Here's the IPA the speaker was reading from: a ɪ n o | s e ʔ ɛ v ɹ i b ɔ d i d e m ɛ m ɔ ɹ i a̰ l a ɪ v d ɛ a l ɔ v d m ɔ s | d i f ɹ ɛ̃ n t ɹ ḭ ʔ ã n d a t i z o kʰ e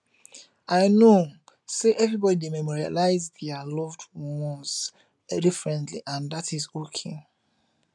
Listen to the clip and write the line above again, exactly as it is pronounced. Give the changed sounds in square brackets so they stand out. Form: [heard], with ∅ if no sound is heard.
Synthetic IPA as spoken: a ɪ n o | s e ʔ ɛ v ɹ i b ɔ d i d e m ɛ m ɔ ɹ i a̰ l a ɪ [z] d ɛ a l ɔ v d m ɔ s | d i f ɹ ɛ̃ n t [l] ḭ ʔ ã n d a t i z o kʰ e